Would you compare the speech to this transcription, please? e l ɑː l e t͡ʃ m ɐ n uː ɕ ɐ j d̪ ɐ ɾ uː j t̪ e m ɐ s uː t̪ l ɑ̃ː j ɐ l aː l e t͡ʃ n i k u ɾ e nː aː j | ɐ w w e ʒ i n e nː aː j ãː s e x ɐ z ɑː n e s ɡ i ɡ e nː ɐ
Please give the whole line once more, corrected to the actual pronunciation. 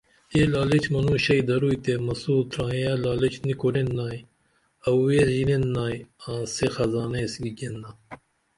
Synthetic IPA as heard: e l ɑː l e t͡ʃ m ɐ n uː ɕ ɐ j d̪ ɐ ɾ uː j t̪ e m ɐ s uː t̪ ɾ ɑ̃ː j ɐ l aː l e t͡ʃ n i k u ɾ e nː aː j | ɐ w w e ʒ i n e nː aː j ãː s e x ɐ z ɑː n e s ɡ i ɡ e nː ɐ